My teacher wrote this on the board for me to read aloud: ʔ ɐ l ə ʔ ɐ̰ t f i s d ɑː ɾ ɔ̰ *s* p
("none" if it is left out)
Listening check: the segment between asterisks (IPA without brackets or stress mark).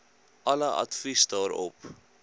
none